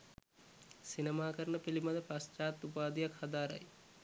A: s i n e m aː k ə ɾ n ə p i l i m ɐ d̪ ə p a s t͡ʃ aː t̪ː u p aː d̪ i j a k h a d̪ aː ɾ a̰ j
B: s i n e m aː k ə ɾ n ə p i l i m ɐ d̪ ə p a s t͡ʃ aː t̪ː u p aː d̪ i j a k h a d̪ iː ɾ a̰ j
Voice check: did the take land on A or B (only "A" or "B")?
A